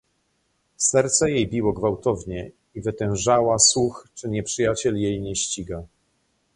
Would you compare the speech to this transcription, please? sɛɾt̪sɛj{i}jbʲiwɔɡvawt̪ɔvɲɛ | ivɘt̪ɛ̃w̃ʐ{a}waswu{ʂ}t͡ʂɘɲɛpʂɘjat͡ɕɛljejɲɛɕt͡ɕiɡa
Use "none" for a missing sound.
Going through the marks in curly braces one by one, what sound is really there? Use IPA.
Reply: e, a, x

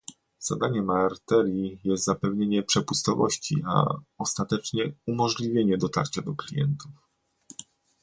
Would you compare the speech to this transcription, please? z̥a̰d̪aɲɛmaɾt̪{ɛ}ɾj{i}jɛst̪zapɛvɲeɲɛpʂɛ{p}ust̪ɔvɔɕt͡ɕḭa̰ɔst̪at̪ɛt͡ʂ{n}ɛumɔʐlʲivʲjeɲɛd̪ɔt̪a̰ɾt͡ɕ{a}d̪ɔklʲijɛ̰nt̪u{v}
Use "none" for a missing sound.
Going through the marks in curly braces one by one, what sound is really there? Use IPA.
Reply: ɛ, i, p, ɲ, a, f

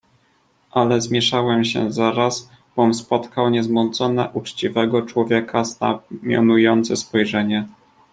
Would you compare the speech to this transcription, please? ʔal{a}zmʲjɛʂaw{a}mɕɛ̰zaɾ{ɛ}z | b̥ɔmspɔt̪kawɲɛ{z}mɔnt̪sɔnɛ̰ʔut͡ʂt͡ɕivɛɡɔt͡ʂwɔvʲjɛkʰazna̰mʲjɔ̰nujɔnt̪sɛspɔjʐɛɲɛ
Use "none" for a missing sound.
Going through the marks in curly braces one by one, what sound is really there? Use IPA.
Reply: ɛ, ɛ, a, z

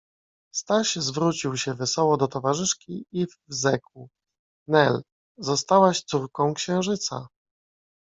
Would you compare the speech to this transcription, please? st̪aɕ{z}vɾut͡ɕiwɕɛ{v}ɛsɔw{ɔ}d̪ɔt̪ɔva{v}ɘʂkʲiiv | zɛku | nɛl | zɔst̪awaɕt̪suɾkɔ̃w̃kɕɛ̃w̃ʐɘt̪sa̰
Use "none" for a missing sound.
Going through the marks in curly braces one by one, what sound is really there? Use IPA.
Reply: z, v, ɔ, ʐ

